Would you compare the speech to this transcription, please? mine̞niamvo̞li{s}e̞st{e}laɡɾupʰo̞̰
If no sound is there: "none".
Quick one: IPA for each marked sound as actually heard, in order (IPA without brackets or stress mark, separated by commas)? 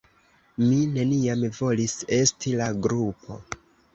s, i